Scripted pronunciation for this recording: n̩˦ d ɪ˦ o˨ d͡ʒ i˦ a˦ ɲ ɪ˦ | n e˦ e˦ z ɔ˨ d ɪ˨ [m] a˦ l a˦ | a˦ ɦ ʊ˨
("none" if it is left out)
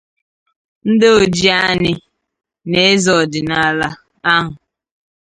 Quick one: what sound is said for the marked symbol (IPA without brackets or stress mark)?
n